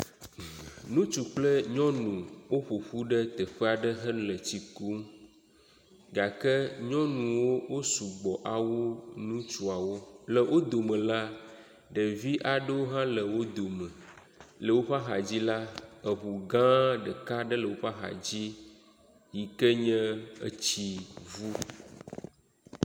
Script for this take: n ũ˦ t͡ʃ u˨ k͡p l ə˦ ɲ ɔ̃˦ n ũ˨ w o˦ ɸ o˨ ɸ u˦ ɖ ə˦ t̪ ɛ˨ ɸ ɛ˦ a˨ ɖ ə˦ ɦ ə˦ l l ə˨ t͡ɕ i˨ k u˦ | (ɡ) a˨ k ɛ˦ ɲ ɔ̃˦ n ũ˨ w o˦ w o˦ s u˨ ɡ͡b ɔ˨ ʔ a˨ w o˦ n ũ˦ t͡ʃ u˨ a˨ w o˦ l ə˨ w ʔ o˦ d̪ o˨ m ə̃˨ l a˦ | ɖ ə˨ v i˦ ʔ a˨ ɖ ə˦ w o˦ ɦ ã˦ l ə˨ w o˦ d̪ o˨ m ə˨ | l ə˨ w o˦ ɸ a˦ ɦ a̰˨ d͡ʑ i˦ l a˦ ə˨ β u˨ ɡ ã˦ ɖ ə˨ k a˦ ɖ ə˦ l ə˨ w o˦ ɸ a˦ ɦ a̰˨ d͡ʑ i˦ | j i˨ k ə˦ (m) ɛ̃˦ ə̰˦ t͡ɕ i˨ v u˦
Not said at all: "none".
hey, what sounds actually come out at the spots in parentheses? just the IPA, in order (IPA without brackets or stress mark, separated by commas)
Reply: ɡ, ɲ